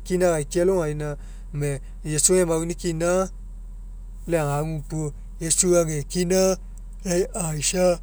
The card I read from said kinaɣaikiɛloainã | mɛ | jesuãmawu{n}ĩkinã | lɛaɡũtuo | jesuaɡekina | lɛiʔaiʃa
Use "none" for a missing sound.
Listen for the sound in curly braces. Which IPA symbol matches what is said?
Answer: n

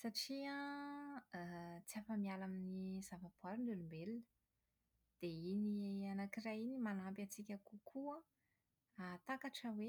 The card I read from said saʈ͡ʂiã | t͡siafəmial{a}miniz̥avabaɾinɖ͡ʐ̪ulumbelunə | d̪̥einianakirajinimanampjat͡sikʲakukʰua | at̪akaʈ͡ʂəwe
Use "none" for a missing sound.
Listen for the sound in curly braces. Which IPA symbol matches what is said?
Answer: a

